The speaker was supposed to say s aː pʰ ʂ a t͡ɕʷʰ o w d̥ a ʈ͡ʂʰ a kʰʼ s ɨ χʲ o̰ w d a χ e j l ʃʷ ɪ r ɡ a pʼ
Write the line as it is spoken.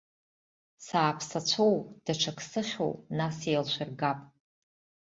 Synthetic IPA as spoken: s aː pʰ s a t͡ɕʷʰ o w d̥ a ʈ͡ʂʰ a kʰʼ s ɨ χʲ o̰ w n a s e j l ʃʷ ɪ r ɡ a pʼ